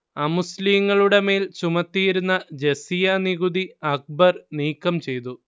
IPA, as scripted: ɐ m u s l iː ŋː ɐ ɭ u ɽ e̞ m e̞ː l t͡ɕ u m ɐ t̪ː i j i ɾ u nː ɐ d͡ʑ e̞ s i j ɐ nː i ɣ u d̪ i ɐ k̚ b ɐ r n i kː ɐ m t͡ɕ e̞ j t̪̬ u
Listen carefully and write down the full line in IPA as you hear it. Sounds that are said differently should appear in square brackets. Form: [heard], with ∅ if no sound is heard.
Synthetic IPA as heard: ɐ m u s l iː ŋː ɐ ɭ u ɽ e̞ m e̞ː l t͡ɕ u m ɐ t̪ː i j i ɾ u nː ɐ d͡ʑ e̞ s i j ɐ [n] i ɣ u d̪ i ɐ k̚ b ɐ r n [iː] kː ɐ m t͡ɕ e̞ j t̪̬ u